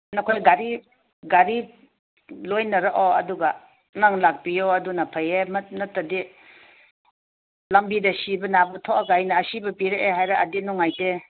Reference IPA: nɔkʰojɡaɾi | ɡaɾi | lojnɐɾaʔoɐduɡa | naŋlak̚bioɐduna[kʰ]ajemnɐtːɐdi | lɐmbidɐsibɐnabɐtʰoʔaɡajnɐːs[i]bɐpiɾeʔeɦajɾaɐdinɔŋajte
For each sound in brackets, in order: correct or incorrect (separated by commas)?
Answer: incorrect, correct